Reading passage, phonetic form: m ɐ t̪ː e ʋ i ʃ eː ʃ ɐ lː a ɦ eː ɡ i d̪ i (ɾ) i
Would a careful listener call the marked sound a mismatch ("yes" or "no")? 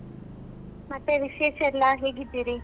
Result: no